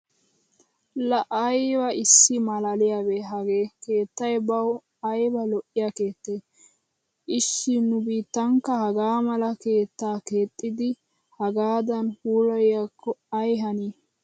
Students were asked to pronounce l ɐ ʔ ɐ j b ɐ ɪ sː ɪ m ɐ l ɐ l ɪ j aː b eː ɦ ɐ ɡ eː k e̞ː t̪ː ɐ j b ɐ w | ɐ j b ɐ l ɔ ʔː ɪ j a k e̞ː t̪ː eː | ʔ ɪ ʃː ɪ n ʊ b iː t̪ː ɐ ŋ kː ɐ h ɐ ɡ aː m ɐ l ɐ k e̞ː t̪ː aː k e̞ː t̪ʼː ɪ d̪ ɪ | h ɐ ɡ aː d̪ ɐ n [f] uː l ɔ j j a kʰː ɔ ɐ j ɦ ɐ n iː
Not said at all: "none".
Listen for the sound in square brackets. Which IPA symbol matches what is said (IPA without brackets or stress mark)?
h